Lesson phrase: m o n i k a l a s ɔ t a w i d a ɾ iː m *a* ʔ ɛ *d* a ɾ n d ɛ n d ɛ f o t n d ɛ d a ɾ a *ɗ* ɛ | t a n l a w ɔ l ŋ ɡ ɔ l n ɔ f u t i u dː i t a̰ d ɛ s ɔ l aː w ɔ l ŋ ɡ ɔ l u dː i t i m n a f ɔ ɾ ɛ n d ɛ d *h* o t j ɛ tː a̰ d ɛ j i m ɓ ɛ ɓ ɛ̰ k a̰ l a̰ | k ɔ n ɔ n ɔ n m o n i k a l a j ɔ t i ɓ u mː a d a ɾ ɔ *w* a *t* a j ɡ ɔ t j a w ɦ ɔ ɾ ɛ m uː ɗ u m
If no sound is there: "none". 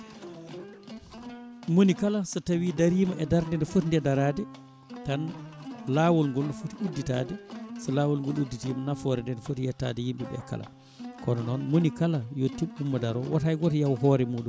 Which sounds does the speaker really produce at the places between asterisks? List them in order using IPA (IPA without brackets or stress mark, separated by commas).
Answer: a, d, d, f, w, t